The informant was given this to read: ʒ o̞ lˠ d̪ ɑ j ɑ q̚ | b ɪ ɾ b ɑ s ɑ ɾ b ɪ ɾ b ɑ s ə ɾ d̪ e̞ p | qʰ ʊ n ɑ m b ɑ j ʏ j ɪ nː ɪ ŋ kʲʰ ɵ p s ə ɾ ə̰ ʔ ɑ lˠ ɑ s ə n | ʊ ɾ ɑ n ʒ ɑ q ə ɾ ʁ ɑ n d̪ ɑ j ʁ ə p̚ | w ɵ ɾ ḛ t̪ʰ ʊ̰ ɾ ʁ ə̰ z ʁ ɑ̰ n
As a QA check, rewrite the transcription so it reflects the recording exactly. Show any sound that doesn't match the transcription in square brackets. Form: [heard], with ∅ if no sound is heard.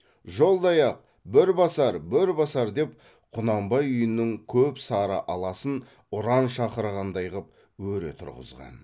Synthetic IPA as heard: ʒ o̞ lˠ d̪ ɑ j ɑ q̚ | b ɪ ɾ b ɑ s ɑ ɾ b ɪ ɾ b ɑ s [ɑ] ɾ d̪ e̞ p | qʰ ʊ n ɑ m b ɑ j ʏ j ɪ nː ɪ ŋ kʲʰ ɵ p s [ɑ] ɾ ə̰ ʔ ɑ lˠ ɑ s ə n | ʊ ɾ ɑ n [ʃ] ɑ q ə ɾ ʁ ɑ n d̪ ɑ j ʁ ə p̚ | w ɵ ɾ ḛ t̪ʰ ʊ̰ ɾ ʁ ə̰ z ʁ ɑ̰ n